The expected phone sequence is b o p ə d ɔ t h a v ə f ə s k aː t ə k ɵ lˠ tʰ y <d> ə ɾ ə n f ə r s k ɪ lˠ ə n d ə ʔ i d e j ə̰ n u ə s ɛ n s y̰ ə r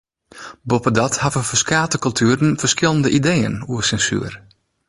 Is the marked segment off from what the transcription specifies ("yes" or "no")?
yes